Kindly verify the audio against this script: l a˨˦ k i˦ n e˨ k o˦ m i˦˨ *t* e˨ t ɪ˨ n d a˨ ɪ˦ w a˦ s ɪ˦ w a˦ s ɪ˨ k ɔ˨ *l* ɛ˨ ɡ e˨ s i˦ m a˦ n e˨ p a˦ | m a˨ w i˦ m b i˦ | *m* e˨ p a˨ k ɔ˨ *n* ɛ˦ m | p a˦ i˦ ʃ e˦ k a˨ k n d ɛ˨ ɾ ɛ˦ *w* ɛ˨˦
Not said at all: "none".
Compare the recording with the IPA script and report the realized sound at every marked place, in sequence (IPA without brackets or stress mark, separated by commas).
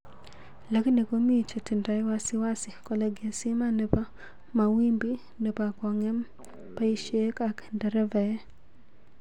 t͡ʃ, l, n, ŋ, v